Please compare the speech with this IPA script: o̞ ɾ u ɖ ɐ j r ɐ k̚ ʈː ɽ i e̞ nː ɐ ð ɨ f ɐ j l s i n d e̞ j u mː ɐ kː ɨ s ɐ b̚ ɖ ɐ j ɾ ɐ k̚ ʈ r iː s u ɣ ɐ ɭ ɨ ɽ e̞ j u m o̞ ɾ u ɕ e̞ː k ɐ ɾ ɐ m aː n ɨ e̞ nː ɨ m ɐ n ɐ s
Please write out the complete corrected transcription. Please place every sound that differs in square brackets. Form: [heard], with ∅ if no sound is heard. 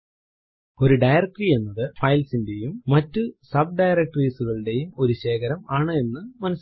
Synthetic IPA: o̞ ɾ u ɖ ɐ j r ɐ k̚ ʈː [r] i e̞ nː ɐ ð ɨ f ɐ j l s i n d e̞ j u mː ɐ [tː] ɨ s ɐ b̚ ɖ ɐ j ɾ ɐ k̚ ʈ r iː s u ɣ ɐ ɭ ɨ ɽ e̞ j u m o̞ ɾ u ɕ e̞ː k ɐ ɾ ɐ m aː [ɳ] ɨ e̞ nː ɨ m ɐ n ɐ s